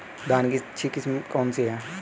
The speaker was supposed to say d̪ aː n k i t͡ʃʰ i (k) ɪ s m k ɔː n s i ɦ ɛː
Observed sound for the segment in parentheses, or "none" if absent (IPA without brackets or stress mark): k